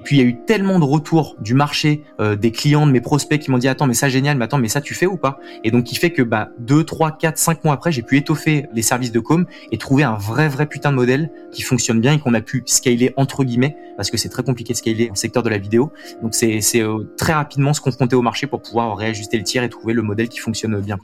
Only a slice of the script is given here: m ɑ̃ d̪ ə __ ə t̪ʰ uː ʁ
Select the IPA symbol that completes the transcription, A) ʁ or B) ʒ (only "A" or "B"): A